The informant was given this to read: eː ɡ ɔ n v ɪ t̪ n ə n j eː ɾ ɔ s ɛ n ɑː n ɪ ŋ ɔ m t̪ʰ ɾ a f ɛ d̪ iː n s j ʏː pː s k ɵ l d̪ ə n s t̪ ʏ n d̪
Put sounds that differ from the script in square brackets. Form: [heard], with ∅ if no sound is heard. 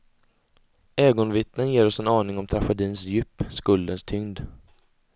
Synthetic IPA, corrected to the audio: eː ɡ ɔ n v ɪ t̪ n ə n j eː ɾ ɔ s ɛ n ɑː n ɪ ŋ ɔ m t̪ʰ ɾ a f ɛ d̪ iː n s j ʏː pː s k ɵ l d̪ ə n s [t̪ʰ] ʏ [ŋ] d̪